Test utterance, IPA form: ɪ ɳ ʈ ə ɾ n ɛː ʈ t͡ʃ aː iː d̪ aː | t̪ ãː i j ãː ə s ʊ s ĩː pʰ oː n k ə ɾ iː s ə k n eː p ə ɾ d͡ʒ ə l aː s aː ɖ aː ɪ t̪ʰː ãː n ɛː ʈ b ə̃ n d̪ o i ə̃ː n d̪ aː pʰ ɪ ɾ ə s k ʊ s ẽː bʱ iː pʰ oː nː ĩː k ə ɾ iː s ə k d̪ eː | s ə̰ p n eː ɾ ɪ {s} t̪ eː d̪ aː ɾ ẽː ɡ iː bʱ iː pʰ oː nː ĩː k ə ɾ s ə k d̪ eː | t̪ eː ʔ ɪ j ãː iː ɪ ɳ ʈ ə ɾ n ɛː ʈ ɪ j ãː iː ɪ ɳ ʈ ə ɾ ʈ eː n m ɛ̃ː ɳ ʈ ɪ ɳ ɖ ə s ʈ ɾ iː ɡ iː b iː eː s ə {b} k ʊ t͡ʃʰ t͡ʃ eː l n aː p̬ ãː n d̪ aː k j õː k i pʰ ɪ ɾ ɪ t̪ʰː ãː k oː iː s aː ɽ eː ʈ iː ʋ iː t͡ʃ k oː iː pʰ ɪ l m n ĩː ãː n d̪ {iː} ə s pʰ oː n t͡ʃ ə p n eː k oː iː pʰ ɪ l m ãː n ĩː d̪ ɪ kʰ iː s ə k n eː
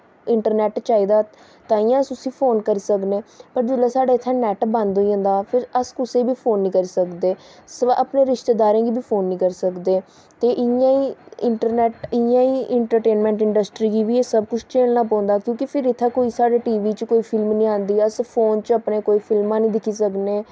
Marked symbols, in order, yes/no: no, yes, yes

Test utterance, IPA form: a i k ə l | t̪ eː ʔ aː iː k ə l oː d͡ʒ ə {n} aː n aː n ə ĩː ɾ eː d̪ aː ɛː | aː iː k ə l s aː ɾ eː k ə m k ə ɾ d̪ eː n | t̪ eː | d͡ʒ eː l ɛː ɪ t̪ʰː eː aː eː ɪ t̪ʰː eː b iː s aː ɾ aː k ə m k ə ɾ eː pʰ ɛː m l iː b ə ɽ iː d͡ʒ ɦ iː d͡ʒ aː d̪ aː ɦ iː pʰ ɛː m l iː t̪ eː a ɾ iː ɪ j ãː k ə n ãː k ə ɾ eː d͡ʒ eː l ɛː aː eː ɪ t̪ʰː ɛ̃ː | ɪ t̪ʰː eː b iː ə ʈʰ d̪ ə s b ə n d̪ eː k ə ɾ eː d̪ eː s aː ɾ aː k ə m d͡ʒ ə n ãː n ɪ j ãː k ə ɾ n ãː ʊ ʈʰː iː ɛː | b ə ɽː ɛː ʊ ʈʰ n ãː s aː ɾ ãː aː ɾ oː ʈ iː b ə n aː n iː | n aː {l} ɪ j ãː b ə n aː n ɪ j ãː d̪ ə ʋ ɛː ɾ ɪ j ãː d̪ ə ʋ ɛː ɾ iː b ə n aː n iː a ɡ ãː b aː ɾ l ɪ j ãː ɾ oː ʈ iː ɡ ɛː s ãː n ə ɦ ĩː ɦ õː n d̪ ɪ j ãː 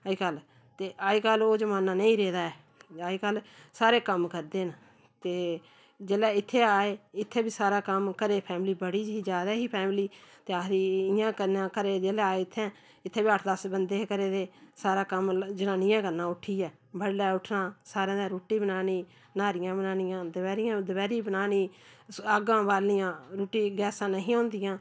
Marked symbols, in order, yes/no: no, no

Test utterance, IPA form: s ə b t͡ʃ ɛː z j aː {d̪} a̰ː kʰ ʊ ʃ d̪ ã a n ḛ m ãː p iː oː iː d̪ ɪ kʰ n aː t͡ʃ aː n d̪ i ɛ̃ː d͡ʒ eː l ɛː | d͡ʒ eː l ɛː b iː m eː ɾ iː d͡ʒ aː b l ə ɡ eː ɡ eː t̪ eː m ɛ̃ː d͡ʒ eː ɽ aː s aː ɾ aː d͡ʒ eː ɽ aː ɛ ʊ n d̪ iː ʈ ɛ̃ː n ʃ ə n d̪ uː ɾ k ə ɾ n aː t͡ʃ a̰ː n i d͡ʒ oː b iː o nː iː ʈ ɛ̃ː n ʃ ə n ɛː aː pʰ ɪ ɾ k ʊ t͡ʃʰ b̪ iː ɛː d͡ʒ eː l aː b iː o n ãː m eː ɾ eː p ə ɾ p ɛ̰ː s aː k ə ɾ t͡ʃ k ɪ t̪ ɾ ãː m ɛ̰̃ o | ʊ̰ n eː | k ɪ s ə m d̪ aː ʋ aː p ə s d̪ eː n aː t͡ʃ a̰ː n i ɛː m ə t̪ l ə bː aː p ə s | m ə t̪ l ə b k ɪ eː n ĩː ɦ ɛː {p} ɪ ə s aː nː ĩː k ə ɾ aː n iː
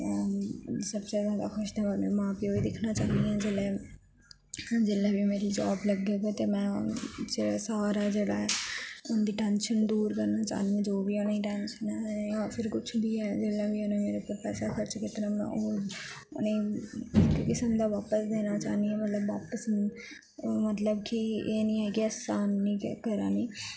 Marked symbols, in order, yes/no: yes, no

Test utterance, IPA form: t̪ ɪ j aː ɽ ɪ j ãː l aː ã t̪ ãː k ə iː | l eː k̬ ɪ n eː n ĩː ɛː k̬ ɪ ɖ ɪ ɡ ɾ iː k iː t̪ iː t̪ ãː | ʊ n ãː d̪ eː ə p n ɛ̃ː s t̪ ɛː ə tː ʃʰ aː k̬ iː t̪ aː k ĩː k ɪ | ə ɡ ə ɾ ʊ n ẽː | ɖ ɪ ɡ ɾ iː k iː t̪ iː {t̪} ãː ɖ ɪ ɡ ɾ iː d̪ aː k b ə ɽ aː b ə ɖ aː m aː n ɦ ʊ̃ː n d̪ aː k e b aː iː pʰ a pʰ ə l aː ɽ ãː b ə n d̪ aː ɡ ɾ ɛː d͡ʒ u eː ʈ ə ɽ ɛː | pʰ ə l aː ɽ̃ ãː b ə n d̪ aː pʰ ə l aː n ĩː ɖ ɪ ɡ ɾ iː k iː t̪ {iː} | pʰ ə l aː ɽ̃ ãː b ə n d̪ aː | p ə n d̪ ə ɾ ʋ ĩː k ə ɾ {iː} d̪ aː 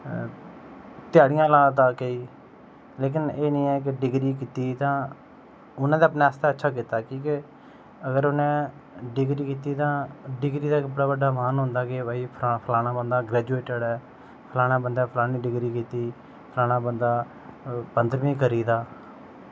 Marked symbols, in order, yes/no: yes, yes, yes

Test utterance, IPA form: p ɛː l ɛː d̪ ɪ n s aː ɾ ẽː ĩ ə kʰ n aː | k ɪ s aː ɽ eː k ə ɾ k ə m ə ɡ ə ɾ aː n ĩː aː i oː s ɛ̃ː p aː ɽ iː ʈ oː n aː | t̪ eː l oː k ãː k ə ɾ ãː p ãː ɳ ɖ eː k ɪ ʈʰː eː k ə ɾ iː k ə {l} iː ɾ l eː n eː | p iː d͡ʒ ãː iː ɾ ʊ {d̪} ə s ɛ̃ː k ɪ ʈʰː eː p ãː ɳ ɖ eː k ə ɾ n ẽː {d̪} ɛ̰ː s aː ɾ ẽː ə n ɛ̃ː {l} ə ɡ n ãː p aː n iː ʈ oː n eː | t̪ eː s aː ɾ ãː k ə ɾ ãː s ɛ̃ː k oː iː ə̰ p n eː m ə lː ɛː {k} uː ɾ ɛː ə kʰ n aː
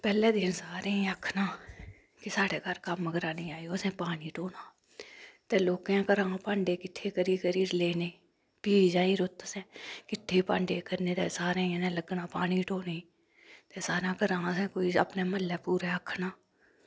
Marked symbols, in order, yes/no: no, no, no, yes, no

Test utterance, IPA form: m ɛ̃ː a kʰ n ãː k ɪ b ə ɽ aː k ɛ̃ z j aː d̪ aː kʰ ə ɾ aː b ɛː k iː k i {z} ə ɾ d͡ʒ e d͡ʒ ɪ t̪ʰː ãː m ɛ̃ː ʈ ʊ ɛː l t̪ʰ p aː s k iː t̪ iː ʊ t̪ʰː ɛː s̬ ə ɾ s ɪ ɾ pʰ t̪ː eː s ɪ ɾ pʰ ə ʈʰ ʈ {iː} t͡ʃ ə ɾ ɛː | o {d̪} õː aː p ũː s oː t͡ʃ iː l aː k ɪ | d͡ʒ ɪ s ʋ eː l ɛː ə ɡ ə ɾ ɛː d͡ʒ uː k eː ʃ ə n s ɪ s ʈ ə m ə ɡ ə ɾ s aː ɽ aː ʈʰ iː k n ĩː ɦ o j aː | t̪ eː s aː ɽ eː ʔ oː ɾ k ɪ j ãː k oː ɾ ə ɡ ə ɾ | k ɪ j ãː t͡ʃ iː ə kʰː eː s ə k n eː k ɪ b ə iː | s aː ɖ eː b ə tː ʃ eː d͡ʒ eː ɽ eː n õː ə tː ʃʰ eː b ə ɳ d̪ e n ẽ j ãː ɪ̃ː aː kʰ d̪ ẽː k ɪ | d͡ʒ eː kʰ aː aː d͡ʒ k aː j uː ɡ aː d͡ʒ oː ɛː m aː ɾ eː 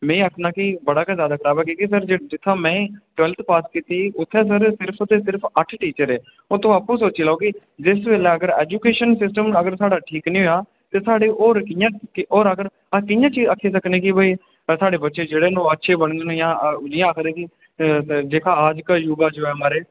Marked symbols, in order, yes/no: no, yes, no

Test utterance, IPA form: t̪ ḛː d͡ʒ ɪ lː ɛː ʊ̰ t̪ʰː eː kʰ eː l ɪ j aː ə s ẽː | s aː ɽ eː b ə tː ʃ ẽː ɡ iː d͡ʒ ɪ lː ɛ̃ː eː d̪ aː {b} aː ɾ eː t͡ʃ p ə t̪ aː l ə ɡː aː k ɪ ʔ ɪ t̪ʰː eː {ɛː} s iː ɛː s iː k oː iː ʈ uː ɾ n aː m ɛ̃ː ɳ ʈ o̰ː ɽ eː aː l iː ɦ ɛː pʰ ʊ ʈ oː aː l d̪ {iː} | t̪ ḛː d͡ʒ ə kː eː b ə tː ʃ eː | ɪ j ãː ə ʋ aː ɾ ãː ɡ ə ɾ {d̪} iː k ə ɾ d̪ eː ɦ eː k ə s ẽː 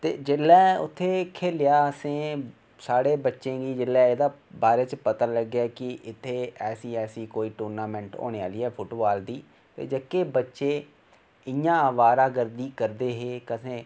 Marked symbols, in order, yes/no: yes, yes, yes, yes

